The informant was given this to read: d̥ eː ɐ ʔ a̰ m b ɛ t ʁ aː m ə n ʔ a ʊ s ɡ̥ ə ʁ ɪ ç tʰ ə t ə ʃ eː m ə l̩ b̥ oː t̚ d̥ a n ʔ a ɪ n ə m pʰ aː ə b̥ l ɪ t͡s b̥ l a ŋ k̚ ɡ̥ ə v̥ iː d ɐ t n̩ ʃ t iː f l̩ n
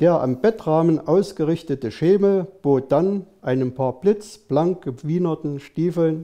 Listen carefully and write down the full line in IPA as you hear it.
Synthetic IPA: d̥ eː ɐ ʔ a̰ m b ɛ t ʁ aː m ə n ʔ a ʊ s ɡ̥ ə ʁ ɪ ç t ə t ə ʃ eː m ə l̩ b̥ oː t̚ d̥ a n ʔ a ɪ n ə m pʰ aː ɐ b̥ l ɪ t͡s b̥ l a ŋ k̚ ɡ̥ ə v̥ iː n ɐ t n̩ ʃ t iː f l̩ n

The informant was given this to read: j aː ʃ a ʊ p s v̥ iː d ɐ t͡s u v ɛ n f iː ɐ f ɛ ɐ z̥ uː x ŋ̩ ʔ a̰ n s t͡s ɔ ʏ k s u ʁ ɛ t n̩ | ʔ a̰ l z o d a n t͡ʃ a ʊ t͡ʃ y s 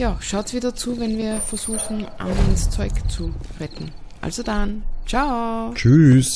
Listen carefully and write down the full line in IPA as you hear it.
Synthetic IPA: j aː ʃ a ʊ t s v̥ iː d ɐ t͡s uː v ɛ n v iː ɐ f ɛ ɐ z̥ uː x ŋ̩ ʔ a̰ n s t͡s ɔ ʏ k t͡s u ʁ ɛ t n̩ | ʔ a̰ l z o d a n t͡ʃ a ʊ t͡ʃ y s

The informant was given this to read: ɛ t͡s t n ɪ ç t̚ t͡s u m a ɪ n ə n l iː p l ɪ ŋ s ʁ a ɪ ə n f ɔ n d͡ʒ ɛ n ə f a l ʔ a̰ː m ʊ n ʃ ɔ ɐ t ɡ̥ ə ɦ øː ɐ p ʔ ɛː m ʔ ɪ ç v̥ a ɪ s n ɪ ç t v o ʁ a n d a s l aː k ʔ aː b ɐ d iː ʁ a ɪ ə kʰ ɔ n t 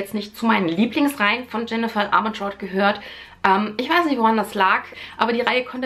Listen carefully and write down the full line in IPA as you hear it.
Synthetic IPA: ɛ t͡s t n ɪ ç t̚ t͡s u m a ɪ n ə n l iː p l ɪ ŋ s ʁ a ɪ ə n f ɔ n d͡ʒ ɛ n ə f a l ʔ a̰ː m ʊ n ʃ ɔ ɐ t ɡ̥ ə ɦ øː ɐ t ʔ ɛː m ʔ ɪ ç v̥ a ɪ s n ɪ ç t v o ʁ a n d a s l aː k ʔ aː b ɐ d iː ʁ a ɪ ə kʰ ɔ n t

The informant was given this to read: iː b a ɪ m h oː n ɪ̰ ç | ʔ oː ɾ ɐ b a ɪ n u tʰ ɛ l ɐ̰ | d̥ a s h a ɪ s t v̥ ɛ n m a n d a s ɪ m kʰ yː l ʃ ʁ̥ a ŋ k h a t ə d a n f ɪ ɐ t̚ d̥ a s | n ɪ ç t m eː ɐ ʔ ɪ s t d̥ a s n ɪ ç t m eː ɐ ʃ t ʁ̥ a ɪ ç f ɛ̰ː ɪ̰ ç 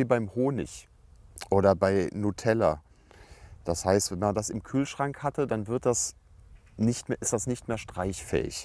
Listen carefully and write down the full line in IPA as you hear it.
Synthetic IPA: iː b a ɪ m h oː n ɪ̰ ç | ʔ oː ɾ ɐ b a ɪ n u tʰ ɛ l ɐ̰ | d̥ a s h a ɪ s t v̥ ɛ n m a n d a s ɪ m kʰ yː l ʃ ʁ̥ a ŋ k h a t ə d a n v ɪ ɐ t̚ d̥ a s | n ɪ ç t m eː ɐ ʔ ɪ s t d̥ a s n ɪ ç t m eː ɐ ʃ t ʁ̥ a ɪ ç f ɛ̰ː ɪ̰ ç

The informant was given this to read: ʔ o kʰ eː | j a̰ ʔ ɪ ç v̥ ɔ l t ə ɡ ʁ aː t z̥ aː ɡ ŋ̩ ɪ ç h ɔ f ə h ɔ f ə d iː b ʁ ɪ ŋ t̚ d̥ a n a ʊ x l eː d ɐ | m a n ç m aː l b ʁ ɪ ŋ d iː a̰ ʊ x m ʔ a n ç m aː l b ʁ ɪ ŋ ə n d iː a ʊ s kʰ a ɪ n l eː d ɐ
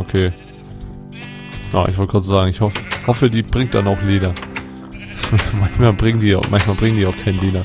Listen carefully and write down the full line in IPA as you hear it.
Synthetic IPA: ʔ o kʰ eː | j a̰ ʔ ɪ ç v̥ ɔ l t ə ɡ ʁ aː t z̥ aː ɡ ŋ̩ ɪ ç h ɔ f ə h ɔ f ə d iː b ʁ ɪ ŋ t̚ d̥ a n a ʊ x l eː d ɐ | m a n ç m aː l b ʁ ɪ ŋ d iː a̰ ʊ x m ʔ a n ç m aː l b ʁ ɪ ŋ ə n d iː a ʊ x kʰ a ɪ n l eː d ɐ

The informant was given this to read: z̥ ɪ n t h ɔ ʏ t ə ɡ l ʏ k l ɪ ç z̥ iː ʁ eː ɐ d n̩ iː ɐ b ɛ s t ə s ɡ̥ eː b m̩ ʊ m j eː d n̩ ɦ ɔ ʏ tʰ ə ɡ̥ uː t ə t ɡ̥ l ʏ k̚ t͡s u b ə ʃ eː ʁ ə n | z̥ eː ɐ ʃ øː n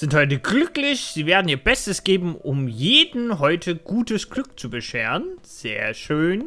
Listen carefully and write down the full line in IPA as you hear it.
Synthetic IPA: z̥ ɪ n t h ɔ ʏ t ə ɡ l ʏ k l ɪ ç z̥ iː v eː ɐ d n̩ iː ɐ b ɛ s t ə s ɡ̥ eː b m̩ ʊ m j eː d n̩ ɦ ɔ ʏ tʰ ə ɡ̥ uː t ə s ɡ̥ l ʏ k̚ t͡s u b ə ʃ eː ʁ ə n | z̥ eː ɐ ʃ øː n

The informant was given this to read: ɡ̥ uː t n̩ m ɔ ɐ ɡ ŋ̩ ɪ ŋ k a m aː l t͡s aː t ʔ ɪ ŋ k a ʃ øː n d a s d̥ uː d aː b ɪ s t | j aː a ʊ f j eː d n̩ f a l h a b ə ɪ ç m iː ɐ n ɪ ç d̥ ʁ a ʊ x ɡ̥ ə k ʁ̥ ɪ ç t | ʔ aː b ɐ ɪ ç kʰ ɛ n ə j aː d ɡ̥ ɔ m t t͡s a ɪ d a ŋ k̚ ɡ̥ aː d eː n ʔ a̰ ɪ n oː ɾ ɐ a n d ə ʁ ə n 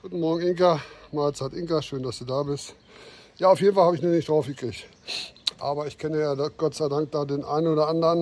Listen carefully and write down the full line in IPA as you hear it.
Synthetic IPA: ɡ̥ uː t n̩ m ɔ ɐ ɡ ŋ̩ ɪ ŋ k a m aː l t͡s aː t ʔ ɪ ŋ k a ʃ øː n d a s d̥ uː d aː b ɪ s t | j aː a ʊ f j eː d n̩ f a l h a b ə ɪ ç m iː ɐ n ɪ ç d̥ ʁ a ʊ f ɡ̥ ə k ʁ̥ ɪ ç t | ʔ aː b ɐ ɪ ç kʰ ɛ n ə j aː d ɡ̥ ɔ t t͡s a ɪ d a ŋ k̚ d̥ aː d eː n ʔ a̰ ɪ n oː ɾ ɐ a n d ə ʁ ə n

